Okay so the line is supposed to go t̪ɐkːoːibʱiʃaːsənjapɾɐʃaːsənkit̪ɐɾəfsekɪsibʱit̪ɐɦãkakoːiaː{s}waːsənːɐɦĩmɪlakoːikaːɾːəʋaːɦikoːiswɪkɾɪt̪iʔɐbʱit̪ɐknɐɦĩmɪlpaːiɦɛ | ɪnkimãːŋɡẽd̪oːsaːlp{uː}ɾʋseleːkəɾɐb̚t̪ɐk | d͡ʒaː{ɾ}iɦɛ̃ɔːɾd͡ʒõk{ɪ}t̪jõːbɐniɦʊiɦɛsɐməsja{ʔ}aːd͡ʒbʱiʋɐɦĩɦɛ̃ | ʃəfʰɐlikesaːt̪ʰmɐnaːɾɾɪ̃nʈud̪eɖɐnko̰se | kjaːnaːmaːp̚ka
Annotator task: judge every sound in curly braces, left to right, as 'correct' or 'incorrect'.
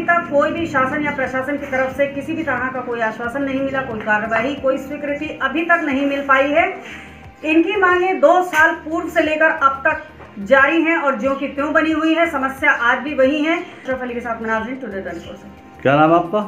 incorrect, correct, correct, incorrect, correct

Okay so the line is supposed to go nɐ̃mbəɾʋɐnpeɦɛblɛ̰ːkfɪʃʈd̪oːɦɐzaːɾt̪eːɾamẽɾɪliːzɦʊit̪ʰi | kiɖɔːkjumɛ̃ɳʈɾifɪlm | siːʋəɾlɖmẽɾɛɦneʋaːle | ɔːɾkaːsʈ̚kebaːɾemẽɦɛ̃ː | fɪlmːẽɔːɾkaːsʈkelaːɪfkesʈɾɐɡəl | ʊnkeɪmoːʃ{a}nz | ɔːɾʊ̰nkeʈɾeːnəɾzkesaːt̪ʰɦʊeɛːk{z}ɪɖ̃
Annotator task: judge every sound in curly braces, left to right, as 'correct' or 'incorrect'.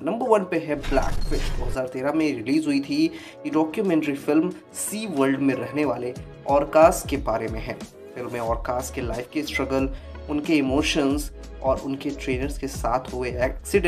incorrect, incorrect

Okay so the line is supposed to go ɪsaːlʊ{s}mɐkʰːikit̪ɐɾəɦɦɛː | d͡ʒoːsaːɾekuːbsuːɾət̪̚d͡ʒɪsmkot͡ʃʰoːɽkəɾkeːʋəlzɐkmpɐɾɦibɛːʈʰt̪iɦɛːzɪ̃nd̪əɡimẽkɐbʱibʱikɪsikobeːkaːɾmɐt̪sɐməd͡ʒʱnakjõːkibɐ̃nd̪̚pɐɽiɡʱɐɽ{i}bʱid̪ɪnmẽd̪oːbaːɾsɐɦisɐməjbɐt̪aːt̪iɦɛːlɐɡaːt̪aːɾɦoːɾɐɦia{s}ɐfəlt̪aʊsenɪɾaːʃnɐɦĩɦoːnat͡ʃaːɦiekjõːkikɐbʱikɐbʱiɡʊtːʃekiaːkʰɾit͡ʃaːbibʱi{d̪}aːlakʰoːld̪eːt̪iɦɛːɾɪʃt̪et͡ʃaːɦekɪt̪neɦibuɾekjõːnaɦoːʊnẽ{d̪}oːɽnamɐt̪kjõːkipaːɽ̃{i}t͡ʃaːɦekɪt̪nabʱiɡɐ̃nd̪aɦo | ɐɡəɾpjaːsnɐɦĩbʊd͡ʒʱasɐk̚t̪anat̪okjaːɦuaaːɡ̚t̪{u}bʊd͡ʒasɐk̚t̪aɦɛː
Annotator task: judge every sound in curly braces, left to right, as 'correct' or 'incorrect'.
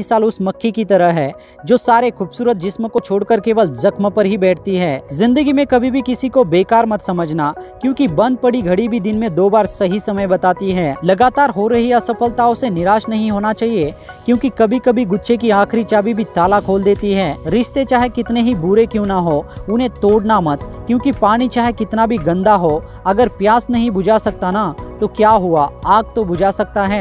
correct, correct, correct, incorrect, incorrect, correct, incorrect

